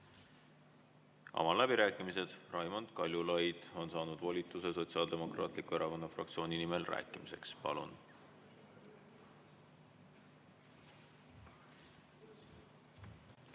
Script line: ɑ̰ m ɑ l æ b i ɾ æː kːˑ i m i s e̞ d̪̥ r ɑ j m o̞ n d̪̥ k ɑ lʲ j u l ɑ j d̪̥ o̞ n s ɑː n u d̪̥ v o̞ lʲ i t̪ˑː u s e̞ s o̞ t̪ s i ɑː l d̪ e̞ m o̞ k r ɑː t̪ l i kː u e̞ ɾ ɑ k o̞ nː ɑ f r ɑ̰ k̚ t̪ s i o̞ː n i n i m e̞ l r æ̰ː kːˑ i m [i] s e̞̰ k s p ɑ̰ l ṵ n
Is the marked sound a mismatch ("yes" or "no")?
no